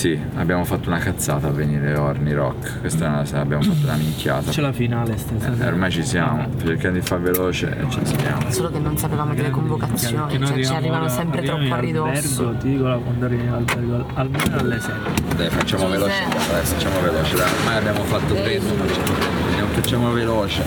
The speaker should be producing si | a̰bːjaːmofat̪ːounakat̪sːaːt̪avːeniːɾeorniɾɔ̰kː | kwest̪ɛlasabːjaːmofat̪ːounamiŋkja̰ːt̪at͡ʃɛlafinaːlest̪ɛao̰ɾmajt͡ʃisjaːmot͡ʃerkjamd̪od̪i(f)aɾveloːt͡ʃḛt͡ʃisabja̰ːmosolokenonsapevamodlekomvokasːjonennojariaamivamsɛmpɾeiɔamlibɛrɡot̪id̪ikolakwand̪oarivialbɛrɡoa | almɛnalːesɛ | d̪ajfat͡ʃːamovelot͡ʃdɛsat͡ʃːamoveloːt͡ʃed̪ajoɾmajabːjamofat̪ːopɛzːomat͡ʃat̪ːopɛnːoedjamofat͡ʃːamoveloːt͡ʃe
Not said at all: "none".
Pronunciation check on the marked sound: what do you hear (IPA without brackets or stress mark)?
f